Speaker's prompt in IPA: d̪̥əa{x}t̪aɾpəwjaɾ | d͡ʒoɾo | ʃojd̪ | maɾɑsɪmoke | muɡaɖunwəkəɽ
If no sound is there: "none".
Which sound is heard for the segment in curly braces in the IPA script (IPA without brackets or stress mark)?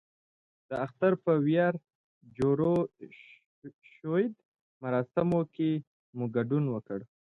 x